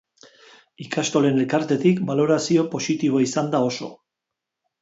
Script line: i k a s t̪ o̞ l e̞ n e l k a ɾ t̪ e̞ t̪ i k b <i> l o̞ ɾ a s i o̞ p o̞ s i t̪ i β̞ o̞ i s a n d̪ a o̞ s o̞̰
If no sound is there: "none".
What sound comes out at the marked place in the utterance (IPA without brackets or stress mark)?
a